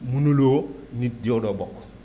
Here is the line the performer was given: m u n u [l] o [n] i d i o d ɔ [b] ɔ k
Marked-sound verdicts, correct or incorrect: correct, correct, correct

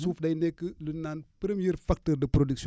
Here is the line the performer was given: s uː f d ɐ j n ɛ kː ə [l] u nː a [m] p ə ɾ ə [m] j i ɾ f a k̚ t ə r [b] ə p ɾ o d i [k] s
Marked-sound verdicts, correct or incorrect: correct, incorrect: n, correct, incorrect: d, correct

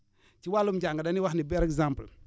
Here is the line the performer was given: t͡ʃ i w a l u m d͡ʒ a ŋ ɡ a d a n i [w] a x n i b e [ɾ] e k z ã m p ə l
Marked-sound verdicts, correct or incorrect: correct, correct

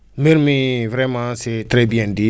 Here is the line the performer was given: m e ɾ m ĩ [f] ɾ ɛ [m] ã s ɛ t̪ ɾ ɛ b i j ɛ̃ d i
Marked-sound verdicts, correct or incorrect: incorrect: v, correct

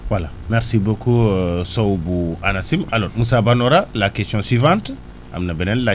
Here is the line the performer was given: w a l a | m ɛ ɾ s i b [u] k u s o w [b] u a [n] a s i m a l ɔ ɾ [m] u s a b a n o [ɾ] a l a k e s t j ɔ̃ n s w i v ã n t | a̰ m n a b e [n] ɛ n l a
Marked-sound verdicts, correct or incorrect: incorrect: o, correct, correct, correct, correct, correct

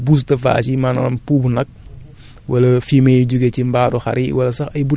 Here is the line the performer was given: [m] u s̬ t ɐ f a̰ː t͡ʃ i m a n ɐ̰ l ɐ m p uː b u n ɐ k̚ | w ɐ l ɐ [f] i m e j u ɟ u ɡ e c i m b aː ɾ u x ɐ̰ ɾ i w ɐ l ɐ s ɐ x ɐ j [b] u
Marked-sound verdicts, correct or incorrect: incorrect: b, correct, correct

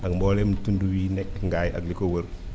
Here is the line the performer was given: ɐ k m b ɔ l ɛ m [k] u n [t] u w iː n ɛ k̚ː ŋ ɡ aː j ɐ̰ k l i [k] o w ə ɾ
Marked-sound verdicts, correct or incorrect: incorrect: t, incorrect: d, correct

